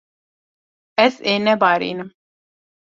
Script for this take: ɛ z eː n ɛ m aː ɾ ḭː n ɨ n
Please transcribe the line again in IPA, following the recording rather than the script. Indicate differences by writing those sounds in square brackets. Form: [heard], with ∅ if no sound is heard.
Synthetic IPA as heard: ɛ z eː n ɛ [b] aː ɾ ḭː n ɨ [m]

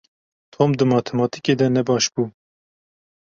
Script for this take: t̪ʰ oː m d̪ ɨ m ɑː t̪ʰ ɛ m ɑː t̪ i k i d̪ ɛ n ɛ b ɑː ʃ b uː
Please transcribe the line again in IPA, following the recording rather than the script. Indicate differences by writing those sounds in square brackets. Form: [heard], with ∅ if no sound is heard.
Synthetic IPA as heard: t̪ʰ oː m d̪ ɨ m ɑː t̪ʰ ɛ m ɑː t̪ i k [e] d̪ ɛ n ɛ b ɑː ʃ b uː

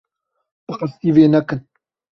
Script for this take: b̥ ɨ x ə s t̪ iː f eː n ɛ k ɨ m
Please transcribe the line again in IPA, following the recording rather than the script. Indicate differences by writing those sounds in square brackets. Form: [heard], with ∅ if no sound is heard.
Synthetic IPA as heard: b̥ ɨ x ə s t̪ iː [v] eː n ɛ k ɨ [n]

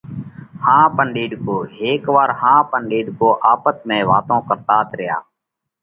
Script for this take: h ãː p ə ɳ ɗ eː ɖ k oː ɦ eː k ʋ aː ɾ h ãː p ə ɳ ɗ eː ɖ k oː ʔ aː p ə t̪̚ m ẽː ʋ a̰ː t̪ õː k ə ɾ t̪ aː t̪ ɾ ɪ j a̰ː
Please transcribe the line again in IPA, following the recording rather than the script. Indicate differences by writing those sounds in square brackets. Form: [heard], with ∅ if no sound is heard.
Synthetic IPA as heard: h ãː p ə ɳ ɗ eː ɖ k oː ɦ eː k ʋ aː ɾ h ãː p ə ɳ ɗ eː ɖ k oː ʔ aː p ə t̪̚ m ẽː ʋ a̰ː t̪ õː k ə ɾ t̪ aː t̪ ɾ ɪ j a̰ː

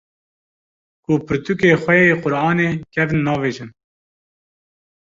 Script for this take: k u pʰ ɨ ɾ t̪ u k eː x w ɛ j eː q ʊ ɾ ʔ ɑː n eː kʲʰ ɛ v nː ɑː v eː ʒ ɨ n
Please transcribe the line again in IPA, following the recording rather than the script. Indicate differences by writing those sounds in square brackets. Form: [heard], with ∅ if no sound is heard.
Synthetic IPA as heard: k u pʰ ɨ ɾ t̪ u k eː x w ɛ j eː q ʊ ɾ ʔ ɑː n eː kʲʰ ɛ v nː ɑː v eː ʒ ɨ n

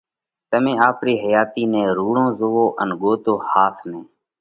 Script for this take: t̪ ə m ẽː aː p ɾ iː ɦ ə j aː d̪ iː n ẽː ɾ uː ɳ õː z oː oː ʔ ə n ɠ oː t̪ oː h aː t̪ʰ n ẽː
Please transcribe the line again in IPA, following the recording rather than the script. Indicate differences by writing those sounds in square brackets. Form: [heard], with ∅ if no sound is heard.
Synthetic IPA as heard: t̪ ə m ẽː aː p ɾ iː ɦ ə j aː [t̪] iː n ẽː ɾ uː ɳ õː z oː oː ʔ ə n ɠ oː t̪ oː h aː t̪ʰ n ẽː

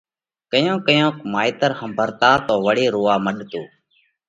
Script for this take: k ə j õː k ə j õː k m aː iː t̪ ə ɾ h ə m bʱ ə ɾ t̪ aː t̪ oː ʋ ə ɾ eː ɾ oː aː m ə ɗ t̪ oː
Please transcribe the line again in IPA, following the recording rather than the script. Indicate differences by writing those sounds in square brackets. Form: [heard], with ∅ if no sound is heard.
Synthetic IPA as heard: k ə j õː k ə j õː k m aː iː t̪ ə ɾ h ə m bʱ ə ɾ t̪ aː t̪ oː ʋ ə [ɽ] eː ɾ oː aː m ə ɗ t̪ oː

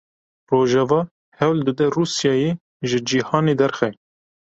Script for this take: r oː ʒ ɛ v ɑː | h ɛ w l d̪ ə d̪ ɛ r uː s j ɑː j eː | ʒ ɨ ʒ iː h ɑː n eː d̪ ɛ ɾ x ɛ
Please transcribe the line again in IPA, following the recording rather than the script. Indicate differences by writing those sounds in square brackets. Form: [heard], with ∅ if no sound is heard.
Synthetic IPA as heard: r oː ʒ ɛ v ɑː | h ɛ w l d̪ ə d̪ ɛ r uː s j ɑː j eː | ʒ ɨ [d͡ʒ] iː h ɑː n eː d̪ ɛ ɾ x ɛ

